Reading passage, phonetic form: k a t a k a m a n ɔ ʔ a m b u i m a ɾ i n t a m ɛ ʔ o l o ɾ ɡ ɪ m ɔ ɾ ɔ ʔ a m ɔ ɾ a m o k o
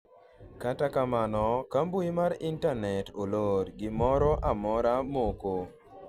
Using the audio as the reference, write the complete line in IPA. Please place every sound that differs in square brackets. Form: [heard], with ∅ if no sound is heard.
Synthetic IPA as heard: k a t a k a m a n ɔ [k] a m b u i m a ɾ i n t a [n] ɛ [t] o l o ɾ ɡ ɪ m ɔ ɾ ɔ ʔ a m ɔ ɾ a m o k o